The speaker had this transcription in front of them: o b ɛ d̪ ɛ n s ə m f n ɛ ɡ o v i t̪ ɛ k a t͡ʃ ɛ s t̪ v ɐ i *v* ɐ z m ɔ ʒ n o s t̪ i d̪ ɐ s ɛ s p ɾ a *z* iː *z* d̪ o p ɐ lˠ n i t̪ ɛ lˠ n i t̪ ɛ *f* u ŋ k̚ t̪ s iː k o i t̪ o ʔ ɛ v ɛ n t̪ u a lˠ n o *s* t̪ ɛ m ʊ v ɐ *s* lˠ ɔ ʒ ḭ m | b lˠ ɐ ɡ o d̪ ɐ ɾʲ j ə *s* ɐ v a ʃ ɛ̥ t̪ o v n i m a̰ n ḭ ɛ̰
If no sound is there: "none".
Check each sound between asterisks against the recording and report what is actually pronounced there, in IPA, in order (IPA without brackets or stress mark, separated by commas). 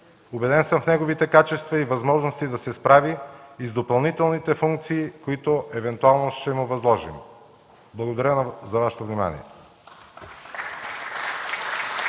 v, v, z, f, ʃ, z, z